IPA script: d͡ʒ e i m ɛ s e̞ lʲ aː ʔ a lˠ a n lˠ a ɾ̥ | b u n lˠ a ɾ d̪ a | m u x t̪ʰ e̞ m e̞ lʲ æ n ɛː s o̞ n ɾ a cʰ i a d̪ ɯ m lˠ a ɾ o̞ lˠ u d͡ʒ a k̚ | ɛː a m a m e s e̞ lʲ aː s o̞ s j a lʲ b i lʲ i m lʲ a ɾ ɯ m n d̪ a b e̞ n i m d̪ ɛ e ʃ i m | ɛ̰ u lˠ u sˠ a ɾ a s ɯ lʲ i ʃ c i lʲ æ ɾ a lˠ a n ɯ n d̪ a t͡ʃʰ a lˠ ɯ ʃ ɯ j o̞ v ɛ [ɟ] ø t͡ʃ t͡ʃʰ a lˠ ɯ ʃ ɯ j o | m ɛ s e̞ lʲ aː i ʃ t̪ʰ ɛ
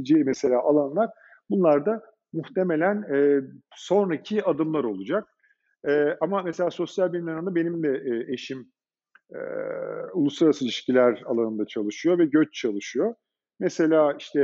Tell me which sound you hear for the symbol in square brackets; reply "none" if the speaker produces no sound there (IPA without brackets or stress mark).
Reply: ɟ